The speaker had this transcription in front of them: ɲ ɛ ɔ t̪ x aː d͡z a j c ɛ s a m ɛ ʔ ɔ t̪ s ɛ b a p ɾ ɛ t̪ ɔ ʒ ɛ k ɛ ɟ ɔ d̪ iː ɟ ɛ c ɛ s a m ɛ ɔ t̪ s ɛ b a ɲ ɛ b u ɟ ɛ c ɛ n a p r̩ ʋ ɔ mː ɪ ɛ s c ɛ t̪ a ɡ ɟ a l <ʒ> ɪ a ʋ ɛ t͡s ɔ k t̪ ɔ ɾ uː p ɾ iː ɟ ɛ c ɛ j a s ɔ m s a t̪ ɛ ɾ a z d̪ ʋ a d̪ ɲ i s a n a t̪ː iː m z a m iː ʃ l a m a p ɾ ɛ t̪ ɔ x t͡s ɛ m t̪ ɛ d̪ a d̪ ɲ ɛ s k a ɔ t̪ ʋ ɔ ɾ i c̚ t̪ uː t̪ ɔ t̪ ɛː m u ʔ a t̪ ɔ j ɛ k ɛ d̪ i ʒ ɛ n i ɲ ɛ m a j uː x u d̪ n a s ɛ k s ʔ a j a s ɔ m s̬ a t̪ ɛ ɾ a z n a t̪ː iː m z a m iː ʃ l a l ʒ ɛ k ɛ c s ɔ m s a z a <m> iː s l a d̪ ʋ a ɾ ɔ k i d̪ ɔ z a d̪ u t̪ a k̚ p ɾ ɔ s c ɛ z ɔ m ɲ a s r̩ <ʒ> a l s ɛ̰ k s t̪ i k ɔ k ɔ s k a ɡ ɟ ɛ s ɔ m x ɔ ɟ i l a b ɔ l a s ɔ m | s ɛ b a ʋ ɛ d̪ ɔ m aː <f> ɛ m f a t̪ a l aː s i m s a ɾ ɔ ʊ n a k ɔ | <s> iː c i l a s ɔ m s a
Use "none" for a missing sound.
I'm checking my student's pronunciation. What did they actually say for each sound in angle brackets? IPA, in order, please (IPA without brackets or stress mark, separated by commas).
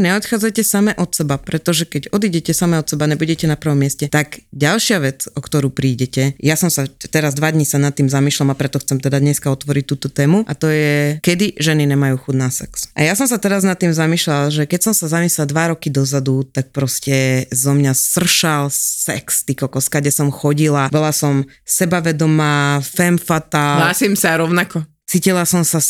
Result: ʃ, m, ʃ, f, t͡s